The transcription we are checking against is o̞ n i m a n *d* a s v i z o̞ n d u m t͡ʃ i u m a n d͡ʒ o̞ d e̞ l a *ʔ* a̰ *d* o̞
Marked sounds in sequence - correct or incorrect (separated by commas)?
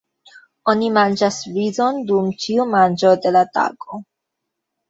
incorrect, incorrect, incorrect